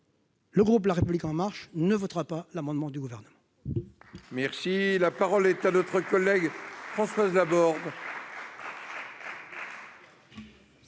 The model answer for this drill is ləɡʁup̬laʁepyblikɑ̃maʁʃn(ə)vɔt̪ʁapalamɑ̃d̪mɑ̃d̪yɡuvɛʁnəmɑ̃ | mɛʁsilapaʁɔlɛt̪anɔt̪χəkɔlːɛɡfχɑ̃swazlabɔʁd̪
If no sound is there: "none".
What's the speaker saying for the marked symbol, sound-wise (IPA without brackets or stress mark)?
ə